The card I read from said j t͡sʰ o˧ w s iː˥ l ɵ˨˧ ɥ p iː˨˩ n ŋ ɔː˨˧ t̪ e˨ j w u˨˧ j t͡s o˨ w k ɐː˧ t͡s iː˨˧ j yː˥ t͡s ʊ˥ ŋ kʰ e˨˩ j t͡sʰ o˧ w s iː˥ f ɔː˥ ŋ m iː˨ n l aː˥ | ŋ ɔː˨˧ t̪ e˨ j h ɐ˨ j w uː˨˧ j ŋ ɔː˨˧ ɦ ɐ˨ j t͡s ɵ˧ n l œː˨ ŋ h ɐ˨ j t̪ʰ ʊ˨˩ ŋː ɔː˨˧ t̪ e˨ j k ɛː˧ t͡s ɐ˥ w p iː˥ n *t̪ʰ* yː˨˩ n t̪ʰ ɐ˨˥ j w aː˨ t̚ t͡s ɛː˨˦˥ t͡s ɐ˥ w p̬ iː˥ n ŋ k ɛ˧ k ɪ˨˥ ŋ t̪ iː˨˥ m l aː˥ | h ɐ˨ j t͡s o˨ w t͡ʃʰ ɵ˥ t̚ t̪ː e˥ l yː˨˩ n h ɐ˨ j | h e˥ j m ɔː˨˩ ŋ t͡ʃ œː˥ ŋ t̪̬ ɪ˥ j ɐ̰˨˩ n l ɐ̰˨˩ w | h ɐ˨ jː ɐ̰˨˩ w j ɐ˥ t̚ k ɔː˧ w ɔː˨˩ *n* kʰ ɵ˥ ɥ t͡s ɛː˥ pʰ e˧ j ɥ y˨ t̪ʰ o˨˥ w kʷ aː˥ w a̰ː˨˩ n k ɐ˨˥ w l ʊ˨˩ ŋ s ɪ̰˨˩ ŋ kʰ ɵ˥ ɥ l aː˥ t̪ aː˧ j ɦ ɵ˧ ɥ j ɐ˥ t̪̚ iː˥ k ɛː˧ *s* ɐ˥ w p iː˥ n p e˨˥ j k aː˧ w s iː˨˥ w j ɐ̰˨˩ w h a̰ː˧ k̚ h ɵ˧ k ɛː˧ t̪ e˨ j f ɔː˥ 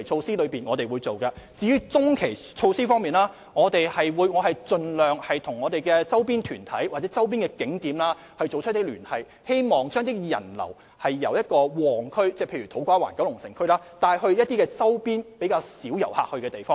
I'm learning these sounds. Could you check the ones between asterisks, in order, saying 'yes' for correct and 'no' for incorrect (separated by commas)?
yes, no, no